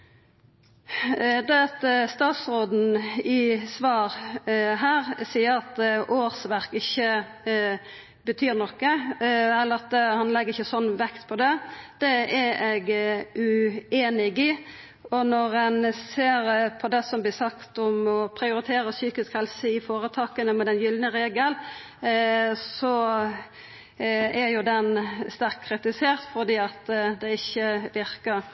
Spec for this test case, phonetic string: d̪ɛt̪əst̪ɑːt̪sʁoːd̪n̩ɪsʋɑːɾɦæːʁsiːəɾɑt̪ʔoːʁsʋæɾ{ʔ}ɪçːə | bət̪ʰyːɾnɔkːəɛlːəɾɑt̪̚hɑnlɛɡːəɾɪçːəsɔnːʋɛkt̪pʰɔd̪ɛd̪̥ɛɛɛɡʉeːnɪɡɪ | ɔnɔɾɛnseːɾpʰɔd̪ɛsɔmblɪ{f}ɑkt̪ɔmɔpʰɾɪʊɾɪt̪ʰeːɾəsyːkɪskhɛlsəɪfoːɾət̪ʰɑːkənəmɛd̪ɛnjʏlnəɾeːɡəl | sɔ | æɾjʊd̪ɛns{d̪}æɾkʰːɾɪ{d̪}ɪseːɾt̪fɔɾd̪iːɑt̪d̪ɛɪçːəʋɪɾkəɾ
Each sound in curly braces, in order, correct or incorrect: incorrect, incorrect, incorrect, incorrect

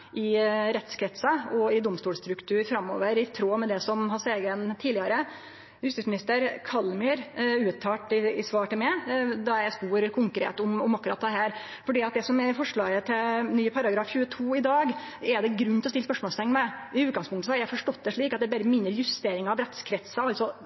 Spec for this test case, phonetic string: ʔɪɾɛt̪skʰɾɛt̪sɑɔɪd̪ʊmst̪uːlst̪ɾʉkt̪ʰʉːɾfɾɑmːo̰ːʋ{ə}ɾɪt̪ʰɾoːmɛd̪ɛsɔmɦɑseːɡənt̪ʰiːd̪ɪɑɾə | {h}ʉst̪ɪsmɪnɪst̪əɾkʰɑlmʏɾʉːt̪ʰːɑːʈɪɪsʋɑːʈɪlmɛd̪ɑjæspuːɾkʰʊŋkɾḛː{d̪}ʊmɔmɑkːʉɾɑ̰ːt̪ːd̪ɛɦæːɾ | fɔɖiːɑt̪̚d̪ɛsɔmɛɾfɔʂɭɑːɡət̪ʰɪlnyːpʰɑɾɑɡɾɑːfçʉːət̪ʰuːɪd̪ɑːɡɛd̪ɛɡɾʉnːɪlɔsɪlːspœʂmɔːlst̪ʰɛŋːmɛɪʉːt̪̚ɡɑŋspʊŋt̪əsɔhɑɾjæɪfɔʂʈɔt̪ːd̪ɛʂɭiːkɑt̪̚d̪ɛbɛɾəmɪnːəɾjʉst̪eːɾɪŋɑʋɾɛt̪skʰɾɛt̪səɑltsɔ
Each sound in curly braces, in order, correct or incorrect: correct, correct, incorrect

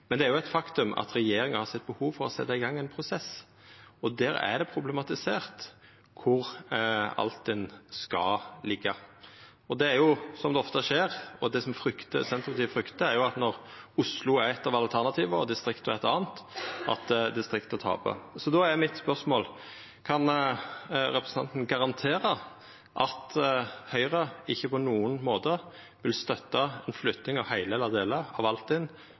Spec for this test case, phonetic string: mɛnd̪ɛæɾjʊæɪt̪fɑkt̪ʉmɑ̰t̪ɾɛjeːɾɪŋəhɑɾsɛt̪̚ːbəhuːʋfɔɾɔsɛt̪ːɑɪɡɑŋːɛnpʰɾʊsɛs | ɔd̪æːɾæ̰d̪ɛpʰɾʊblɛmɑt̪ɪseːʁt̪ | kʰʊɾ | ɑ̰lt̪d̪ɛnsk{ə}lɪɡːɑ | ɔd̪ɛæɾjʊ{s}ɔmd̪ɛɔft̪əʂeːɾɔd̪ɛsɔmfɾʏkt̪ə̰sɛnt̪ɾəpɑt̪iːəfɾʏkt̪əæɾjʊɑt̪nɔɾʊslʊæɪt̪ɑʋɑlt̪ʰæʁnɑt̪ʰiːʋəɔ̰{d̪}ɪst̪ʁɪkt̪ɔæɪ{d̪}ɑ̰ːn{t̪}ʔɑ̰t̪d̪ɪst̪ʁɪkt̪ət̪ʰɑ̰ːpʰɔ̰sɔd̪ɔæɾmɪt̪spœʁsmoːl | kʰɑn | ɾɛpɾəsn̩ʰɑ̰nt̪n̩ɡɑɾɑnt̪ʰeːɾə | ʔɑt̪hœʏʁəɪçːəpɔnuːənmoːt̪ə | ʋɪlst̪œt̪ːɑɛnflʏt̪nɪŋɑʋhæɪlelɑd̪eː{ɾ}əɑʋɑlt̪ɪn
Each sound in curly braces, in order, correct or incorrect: incorrect, correct, correct, incorrect, correct, incorrect

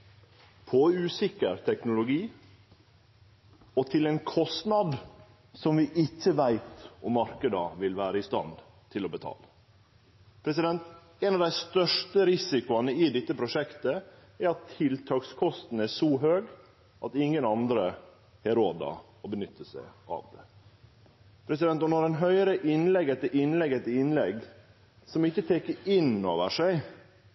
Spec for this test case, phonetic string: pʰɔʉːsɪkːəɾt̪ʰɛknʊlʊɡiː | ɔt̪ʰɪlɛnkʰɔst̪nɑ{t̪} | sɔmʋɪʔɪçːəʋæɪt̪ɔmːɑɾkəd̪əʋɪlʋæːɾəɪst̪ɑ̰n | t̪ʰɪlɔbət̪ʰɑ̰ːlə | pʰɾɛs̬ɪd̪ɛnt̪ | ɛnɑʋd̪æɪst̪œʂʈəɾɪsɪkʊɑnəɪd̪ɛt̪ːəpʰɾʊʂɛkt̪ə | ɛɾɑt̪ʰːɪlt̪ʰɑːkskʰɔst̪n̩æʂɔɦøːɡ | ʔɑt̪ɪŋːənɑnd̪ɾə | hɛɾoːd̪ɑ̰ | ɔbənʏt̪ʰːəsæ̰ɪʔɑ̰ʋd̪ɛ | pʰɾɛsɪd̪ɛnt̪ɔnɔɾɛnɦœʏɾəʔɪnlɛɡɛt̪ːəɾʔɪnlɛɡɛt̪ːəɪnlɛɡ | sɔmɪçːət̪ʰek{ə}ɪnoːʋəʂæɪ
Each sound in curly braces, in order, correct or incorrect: incorrect, correct

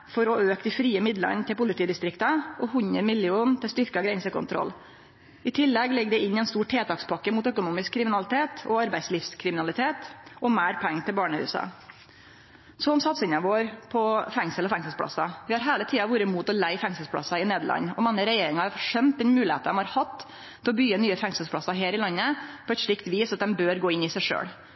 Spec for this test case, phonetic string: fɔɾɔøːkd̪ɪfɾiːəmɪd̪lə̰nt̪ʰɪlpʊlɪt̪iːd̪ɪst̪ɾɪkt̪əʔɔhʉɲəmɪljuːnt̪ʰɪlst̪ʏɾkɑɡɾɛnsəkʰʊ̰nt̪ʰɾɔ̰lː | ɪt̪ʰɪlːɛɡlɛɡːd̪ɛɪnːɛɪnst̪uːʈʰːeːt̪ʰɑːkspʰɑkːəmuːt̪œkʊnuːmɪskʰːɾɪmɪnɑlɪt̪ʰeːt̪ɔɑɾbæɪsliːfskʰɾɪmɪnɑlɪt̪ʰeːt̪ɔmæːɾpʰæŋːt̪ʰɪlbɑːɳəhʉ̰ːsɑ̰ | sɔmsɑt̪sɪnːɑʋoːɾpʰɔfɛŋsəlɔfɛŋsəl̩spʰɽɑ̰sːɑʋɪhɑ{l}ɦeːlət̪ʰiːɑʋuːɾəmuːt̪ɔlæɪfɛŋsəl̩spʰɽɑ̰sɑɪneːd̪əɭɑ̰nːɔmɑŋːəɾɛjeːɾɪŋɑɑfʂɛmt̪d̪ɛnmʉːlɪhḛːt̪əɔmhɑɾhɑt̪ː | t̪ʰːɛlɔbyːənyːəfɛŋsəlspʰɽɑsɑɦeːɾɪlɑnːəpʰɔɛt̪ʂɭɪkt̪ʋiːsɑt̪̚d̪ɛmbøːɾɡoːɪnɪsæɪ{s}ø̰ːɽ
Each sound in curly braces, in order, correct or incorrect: incorrect, incorrect

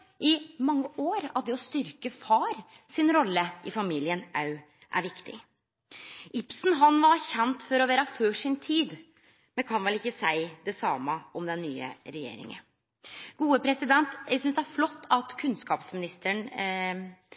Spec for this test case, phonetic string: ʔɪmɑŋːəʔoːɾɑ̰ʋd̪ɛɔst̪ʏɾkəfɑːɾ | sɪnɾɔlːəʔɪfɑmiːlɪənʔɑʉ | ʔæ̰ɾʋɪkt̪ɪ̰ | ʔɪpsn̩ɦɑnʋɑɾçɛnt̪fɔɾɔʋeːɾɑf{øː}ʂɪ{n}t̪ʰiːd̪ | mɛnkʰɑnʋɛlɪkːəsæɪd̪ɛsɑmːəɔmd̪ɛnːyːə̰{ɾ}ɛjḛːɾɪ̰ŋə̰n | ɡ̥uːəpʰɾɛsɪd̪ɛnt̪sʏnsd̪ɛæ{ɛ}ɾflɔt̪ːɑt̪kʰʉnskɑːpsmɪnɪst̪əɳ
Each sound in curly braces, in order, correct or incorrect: correct, correct, correct, incorrect

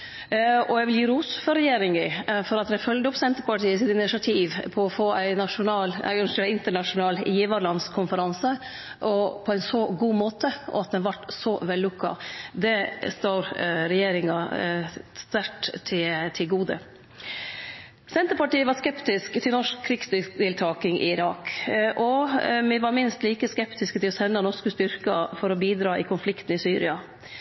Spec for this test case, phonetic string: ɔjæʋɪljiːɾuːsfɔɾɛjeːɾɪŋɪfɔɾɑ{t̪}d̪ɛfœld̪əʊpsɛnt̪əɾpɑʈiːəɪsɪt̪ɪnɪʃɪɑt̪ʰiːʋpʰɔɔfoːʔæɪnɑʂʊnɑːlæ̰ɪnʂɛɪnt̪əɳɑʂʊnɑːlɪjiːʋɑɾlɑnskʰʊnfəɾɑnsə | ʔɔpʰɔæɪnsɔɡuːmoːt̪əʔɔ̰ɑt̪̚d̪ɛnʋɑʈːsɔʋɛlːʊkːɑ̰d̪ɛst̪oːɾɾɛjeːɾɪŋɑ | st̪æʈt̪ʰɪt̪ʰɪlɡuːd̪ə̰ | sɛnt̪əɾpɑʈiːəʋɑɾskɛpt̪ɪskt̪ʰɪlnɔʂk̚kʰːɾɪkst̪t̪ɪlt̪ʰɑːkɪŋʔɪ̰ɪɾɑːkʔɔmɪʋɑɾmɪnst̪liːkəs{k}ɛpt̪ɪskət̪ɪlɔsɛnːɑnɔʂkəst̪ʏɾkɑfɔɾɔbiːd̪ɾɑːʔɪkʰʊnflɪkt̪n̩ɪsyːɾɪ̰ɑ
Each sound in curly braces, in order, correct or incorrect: correct, correct

